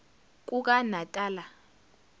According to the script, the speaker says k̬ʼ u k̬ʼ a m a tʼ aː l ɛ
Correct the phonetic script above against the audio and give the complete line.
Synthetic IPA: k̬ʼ u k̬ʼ a n a tʼ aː l a